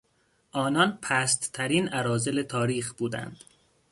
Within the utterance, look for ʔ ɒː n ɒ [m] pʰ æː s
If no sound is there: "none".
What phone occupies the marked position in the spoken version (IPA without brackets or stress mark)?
n